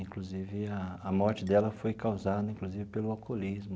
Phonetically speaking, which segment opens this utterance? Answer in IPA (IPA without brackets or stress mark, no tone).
ĩ